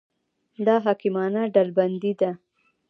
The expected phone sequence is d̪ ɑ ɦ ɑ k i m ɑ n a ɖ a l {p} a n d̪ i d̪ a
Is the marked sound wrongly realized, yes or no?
yes